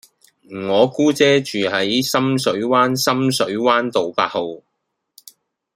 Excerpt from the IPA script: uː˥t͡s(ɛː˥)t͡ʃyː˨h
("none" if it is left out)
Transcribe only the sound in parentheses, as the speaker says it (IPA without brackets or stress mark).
ɛː˥